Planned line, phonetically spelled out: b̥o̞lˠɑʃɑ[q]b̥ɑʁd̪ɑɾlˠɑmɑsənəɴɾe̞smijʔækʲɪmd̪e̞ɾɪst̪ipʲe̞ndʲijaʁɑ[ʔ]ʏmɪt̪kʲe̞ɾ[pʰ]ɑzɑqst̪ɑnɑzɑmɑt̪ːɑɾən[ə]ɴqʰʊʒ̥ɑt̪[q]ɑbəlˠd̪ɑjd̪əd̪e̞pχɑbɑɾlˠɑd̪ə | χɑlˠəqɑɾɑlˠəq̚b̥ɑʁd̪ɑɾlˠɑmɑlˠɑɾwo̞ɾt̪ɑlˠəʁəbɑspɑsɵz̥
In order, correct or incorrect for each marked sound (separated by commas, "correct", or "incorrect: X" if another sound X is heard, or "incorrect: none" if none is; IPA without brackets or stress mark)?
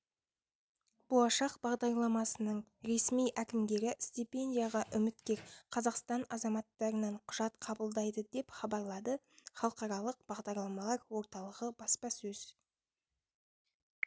correct, correct, incorrect: qʰ, incorrect: ɑ, incorrect: qʰ